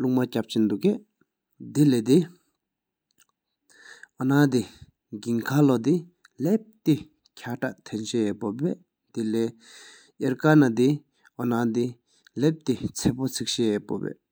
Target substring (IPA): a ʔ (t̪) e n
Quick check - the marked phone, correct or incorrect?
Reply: incorrect